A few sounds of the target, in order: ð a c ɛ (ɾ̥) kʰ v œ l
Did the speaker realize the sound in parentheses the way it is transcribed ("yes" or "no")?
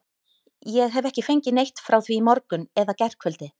no